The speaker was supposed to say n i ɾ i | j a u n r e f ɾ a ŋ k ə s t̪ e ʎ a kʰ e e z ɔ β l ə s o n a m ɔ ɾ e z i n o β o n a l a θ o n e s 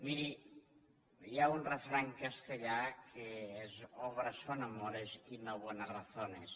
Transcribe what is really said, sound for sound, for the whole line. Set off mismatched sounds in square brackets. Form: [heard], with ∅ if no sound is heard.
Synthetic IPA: [m] i ɾ i | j a u n r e f ɾ a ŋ k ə s t̪ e ʎ a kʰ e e z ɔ β [ɾ] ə s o n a m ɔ ɾ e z i n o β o n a [r] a θ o n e s